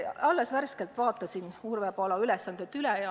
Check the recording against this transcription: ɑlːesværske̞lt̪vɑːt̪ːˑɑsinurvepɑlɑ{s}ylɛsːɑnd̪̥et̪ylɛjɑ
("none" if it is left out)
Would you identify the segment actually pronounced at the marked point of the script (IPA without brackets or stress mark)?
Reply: none